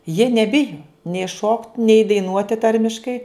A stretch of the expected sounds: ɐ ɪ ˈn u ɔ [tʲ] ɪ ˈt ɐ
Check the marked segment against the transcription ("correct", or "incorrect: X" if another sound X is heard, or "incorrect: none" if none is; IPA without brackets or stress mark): correct